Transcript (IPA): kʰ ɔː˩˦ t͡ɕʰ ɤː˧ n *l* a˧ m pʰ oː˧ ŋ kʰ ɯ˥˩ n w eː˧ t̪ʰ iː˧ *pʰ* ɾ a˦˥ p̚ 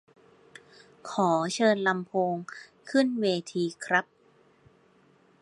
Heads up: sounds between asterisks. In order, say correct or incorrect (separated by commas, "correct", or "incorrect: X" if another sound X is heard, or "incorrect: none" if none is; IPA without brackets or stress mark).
correct, incorrect: kʰ